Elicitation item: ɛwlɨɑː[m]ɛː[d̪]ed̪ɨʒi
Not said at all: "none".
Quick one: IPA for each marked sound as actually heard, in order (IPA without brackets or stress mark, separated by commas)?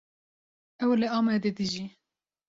m, d̪